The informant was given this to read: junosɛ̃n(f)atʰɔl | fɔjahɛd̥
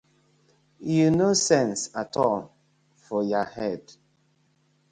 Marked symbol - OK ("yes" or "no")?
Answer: no